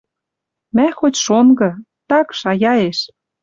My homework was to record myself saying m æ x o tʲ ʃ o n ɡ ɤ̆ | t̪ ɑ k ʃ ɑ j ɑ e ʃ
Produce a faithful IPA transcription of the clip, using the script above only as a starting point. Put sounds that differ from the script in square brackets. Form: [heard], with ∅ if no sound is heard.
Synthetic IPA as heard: m æ x o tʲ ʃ o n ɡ ɤ̆ | t̪ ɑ k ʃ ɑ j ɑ e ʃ